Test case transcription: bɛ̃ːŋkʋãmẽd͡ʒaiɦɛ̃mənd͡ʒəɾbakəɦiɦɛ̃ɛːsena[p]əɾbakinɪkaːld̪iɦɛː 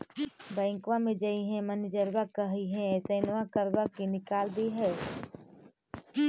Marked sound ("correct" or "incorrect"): incorrect